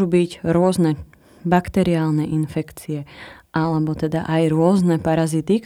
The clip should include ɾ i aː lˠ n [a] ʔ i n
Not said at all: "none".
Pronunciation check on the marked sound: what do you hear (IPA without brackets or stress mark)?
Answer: ɛ